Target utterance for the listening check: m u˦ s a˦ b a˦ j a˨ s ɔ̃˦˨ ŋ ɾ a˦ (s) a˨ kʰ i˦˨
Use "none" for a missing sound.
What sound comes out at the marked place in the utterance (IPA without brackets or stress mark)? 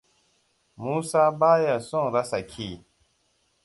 s